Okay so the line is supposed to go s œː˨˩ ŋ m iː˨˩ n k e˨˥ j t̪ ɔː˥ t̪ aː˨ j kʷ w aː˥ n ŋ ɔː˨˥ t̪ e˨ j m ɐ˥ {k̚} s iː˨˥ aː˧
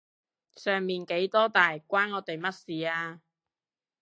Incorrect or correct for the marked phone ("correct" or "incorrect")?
incorrect